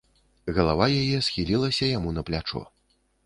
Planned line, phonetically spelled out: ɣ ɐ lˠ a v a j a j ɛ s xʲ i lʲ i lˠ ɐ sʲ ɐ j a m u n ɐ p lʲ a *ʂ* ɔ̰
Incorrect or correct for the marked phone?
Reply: incorrect: t͡ʂ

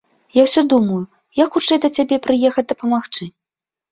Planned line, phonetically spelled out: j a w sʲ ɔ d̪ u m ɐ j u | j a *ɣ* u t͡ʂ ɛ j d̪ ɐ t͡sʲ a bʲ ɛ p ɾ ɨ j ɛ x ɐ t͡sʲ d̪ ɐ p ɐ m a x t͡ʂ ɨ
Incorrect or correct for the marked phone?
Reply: incorrect: x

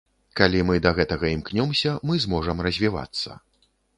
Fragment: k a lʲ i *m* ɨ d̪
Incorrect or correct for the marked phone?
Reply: correct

